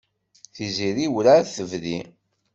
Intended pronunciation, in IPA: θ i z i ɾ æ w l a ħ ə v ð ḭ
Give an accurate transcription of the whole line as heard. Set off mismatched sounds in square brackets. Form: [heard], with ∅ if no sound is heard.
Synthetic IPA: θ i z i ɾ [i] w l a [θ] ə v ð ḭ

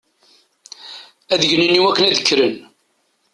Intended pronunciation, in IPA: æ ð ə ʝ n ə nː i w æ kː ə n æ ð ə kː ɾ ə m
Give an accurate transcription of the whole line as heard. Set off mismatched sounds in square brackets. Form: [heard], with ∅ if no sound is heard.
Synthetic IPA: æ ð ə ʝ n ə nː i w æ kː ə n æ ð ə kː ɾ ə [n]

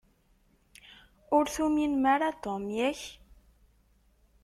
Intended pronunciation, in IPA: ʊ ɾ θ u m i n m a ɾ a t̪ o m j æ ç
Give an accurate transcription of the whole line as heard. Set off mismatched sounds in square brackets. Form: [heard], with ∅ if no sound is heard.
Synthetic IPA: ʊ ɾ θ u m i n m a ɾ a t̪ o m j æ ç

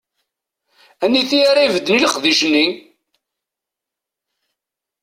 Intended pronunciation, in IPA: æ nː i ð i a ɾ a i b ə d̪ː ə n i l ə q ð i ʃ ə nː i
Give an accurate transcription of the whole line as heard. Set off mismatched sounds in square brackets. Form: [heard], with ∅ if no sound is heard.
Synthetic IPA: æ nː i [θ] i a ɾ a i [v] ə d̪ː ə n i l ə q ð i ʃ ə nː i

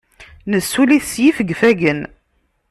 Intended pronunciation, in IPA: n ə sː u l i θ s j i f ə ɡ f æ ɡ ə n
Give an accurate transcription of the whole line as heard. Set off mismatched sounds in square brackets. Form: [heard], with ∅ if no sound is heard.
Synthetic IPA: n ə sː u l i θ s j i f ə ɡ f æ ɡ ə n

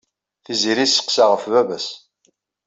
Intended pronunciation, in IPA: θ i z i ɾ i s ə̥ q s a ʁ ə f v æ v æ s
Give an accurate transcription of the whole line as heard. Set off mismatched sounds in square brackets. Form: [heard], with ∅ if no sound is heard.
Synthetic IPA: θ i z i ɾ i s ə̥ q s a ʁ ə f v æ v æ s

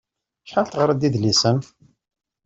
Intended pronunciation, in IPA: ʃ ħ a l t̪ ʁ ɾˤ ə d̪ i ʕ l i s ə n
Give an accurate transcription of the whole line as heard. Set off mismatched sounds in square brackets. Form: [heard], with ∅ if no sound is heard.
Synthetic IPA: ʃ ħ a l t̪ ʁ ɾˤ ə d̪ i [ð] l i s ə n

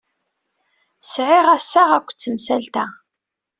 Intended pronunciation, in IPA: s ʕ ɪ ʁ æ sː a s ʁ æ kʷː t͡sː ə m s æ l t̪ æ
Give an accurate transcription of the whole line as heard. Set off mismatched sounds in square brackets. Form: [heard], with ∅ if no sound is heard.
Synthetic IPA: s ʕ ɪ ʁ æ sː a [∅] ʁ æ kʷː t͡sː ə m s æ l t̪ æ

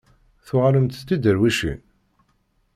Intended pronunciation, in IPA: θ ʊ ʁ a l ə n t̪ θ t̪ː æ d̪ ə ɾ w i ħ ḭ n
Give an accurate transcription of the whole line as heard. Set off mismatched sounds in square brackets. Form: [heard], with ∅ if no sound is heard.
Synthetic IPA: θ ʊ ʁ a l ə [m] t̪ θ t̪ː [i] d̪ ə ɾ w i [ʃ] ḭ n

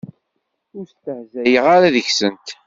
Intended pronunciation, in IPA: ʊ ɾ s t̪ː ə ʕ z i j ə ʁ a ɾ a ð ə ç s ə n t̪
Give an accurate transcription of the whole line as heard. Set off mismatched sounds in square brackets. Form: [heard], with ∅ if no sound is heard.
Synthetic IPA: ʊ ɾ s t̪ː ə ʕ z [æ] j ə ʁ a ɾ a ð ə ç s ə n t̪

